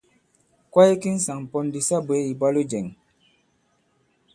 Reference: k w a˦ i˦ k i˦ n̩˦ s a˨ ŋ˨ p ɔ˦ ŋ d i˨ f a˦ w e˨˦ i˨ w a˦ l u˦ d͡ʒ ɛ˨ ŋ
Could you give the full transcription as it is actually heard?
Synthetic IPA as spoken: k w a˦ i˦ k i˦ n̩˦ s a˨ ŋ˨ p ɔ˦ n d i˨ s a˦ b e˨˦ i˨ b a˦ l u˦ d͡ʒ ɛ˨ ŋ